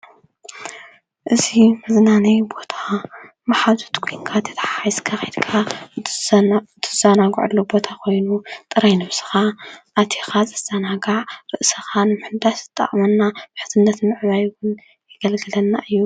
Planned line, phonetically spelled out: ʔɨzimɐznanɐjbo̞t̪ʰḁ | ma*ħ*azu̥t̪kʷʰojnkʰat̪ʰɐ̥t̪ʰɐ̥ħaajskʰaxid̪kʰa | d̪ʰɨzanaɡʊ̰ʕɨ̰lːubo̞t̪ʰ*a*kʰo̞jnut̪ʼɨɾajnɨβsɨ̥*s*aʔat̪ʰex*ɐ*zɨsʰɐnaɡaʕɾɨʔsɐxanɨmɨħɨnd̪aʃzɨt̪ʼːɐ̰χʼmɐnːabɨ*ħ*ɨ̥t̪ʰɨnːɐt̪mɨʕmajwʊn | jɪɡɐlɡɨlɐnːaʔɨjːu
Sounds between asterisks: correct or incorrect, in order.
correct, correct, incorrect: x, incorrect: a, correct

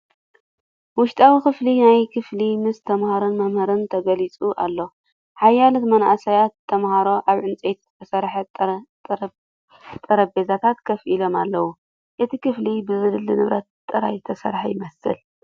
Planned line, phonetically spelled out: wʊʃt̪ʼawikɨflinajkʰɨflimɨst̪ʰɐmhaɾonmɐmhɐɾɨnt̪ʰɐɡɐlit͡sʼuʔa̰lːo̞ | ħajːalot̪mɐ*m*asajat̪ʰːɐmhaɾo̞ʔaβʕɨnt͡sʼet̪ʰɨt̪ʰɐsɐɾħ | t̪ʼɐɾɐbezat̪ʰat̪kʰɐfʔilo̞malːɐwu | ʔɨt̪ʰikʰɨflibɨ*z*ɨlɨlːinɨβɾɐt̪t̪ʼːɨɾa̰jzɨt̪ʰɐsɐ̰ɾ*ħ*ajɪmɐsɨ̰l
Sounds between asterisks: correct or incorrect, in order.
incorrect: n, correct, correct

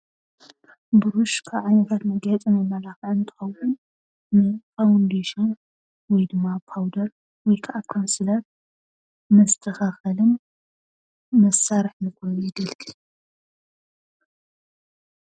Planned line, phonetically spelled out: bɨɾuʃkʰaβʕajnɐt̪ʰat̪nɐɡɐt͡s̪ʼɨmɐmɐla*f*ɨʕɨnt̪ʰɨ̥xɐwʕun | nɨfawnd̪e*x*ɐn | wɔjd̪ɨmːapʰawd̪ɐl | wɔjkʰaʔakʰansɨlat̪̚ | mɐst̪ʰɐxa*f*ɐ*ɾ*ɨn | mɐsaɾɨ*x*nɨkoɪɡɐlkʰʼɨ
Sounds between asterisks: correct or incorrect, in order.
incorrect: x, incorrect: ʃ, incorrect: x, incorrect: l, incorrect: ħ

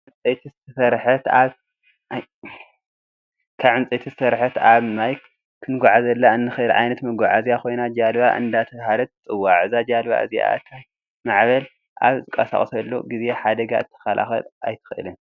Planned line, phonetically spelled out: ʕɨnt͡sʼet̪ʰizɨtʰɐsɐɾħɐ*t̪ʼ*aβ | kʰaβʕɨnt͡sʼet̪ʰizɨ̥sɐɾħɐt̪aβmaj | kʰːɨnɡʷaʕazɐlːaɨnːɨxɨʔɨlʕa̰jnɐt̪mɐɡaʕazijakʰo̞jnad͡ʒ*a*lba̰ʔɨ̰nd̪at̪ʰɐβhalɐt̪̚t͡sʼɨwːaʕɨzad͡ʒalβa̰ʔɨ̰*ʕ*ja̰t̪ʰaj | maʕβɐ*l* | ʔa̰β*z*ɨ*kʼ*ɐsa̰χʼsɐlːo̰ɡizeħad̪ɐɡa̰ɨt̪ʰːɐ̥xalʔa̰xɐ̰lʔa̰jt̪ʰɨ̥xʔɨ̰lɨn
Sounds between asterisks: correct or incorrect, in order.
incorrect: t̪, correct, incorrect: z, correct, correct, correct

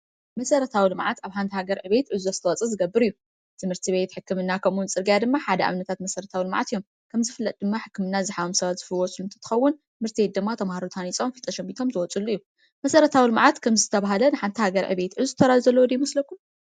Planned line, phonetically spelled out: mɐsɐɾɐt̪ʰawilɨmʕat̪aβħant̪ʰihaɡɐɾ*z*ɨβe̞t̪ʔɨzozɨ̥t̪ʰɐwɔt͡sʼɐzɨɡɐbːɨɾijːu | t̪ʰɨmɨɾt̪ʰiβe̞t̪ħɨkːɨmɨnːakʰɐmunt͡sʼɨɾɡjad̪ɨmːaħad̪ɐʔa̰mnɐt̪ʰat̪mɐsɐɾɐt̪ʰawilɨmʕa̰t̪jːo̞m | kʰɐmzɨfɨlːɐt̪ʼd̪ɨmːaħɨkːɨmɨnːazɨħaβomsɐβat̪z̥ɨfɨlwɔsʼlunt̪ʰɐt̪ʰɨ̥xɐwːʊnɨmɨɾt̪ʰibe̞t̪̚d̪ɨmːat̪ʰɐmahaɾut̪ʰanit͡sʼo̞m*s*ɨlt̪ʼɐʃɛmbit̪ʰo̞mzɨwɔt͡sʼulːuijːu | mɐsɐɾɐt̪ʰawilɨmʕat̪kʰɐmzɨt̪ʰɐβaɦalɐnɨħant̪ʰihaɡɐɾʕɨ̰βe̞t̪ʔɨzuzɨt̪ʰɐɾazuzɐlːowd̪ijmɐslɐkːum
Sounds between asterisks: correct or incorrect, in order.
incorrect: ʕ, incorrect: f

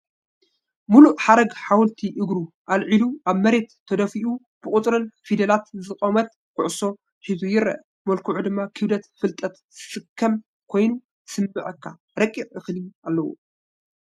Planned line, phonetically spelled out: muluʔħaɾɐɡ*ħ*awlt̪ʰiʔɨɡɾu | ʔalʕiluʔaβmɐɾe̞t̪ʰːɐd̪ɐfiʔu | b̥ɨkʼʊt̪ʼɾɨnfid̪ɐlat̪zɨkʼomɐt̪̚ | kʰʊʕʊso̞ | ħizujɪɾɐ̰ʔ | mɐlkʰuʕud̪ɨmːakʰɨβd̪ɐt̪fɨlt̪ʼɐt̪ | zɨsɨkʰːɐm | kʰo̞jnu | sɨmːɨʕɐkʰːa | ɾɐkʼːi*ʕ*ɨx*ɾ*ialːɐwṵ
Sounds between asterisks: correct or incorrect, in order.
correct, correct, incorrect: l

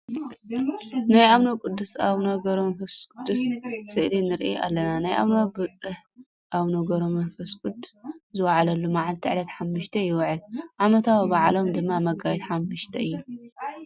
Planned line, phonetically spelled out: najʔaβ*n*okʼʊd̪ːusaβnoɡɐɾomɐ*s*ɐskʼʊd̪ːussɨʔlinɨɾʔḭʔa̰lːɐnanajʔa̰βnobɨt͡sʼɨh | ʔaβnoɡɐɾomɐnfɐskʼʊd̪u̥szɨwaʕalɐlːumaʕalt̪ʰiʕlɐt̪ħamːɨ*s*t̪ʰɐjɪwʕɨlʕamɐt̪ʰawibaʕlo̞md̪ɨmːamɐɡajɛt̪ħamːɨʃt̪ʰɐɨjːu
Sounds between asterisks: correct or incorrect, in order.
correct, incorrect: f, incorrect: ʃ

